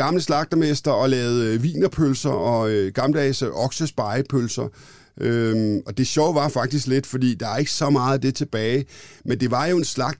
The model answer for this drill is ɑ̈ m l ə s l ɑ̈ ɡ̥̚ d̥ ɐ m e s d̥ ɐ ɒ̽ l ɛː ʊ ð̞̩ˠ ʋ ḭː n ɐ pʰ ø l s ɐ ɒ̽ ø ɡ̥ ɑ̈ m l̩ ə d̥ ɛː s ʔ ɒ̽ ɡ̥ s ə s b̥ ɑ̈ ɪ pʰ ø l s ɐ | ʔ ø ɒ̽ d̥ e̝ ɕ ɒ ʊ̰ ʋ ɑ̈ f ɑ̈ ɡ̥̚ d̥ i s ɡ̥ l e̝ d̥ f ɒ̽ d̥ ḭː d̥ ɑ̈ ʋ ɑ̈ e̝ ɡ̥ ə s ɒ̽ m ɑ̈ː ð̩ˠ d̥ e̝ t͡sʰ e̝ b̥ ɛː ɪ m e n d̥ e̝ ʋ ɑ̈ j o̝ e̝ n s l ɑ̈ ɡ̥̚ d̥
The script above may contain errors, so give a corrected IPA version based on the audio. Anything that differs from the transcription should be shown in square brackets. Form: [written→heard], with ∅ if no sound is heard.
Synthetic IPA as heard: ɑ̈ m l ə s l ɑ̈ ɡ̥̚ d̥ ɐ m e s d̥ ɐ ɒ̽ l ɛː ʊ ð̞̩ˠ ʋ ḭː n ɐ pʰ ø l s ɐ ɒ̽ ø ɡ̥ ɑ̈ m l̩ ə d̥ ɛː s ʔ ɒ̽ ɡ̥ s ə s b̥ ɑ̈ ɪ pʰ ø l s ɐ | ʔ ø ɒ̽ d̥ e̝ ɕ ɒ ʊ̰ ʋ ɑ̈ f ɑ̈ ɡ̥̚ d̥ i s ɡ̥ l e̝ d̥ f ɒ̽ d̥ ḭː d̥ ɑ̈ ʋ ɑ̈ e̝ ɡ̥ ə s ɒ̽ m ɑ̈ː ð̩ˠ d̥ e̝ t͡sʰ e̝ b̥ ɛː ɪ m e n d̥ e̝ ʋ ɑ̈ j o̝ e̝ n s l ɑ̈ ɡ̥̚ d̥